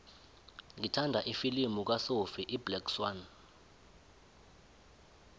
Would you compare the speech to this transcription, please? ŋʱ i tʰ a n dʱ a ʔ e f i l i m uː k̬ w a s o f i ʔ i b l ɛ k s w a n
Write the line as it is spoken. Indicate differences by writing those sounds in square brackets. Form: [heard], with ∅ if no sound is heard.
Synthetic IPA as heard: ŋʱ i tʰ a n dʱ a ʔ [i] f i l i m [u] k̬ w a s o f i ʔ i b l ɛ k s w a n